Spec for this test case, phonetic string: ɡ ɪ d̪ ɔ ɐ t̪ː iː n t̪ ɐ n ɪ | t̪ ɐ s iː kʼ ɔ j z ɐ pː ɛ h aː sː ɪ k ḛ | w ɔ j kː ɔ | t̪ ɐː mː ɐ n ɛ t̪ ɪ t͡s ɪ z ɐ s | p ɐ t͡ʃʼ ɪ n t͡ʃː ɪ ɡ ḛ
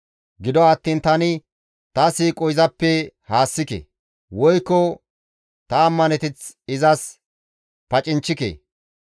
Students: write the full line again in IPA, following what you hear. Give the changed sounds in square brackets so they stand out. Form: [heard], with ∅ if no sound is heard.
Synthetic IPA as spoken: ɡ ɪ d̪ ɔ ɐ t̪ː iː n t̪ ɐ n ɪ | t̪ ɐ s iː kʼ ɔ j z ɐ pː ɛ h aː sː ɪ k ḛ | w ɔ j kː ɔ | t̪ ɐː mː ɐ n ɛ t̪ ɪ t͡s ɪ z ɐ s | p ɐ t͡ʃʼ ɪ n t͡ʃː ɪ [k] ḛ